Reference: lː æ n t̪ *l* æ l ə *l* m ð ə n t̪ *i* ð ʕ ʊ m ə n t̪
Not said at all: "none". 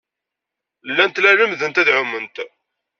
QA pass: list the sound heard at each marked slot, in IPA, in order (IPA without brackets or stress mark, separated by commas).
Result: l, none, æ